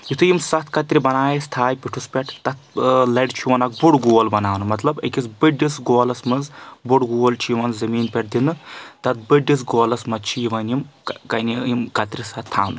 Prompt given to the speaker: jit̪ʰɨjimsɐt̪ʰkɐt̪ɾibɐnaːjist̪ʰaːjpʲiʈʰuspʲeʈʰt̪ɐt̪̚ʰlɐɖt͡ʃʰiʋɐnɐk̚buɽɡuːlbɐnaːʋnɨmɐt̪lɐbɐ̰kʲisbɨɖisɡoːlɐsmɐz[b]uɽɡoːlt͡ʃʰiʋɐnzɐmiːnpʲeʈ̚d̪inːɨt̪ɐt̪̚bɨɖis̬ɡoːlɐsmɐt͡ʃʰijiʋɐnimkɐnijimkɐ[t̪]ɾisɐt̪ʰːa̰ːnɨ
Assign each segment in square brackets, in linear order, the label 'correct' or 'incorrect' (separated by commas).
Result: correct, correct